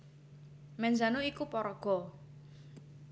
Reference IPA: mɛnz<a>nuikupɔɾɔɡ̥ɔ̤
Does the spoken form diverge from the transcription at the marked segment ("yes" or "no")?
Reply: no